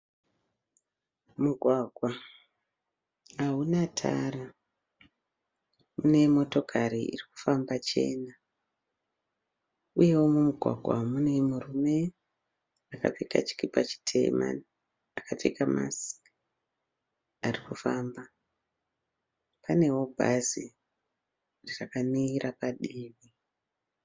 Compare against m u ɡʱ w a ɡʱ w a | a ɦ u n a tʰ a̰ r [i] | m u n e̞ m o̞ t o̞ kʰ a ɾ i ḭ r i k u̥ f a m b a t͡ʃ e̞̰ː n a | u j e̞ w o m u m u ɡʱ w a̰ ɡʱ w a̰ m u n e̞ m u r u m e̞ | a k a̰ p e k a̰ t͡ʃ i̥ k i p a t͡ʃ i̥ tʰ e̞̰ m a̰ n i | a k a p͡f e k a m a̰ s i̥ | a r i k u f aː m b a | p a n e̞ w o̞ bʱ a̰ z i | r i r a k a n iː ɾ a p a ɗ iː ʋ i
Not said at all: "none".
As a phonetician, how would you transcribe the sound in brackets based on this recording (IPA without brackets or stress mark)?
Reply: a